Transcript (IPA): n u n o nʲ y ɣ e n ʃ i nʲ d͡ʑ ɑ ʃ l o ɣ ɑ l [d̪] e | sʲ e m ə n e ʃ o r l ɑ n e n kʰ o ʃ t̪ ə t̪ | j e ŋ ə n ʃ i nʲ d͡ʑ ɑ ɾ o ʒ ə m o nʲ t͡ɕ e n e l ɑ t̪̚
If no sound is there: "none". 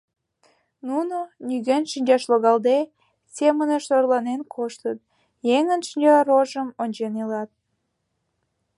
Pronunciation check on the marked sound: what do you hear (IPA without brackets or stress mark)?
d̪